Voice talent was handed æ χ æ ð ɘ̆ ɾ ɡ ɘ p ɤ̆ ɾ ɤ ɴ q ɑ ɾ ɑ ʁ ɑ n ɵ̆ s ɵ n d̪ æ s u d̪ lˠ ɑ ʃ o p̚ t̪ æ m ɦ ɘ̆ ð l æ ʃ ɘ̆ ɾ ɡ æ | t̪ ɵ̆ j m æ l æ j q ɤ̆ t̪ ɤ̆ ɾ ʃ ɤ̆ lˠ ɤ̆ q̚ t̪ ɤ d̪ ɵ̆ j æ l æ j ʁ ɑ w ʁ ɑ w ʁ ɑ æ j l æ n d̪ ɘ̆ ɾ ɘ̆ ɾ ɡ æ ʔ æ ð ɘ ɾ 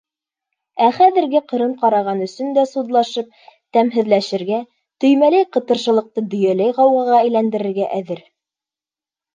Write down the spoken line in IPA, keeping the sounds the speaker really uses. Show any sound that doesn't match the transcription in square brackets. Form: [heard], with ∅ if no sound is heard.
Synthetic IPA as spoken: æ χ æ ð ɘ̆ ɾ ɡ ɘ [q] ɤ̆ ɾ ɤ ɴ q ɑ ɾ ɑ ʁ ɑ n ɵ̆ s ɵ n d̪ æ s u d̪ lˠ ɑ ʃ [ɤ] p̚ t̪ æ m ɦ ɘ̆ ð l æ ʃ ɘ̆ ɾ ɡ æ | t̪ ɵ̆ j m æ l æ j q ɤ̆ t̪ ɤ̆ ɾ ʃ ɤ̆ lˠ ɤ̆ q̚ t̪ ɤ d̪ ɵ̆ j æ l æ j ʁ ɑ w ʁ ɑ [∅] ʁ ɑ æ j l æ n d̪ ɘ̆ ɾ ɘ̆ ɾ ɡ æ ʔ æ ð ɘ ɾ